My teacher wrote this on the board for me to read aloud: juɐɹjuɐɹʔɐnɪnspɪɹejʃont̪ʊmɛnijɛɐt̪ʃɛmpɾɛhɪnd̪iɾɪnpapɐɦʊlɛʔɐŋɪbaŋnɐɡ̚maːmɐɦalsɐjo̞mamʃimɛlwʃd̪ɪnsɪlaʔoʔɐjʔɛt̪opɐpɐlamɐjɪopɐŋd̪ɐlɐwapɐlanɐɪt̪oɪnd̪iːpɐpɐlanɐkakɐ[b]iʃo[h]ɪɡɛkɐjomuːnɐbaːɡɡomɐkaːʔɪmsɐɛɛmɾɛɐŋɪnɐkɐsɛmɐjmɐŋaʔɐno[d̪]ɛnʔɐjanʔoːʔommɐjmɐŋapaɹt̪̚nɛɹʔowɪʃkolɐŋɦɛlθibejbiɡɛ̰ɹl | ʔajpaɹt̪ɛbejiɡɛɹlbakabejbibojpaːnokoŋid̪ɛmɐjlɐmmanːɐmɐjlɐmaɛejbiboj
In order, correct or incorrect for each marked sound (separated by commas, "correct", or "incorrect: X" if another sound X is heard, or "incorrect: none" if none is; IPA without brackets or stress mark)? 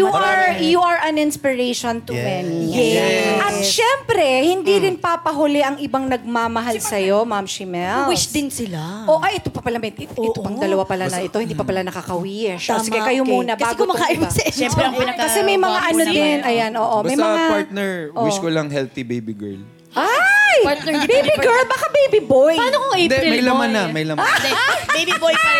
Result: incorrect: w, incorrect: s, correct